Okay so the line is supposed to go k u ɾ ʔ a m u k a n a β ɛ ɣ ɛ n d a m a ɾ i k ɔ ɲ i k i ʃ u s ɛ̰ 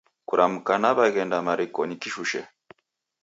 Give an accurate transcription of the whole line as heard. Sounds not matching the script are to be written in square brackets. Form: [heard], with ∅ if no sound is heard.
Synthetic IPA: k u ɾ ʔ a m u k a n a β [a] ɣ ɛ n d a m a ɾ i k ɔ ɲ i k i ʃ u [ʃ] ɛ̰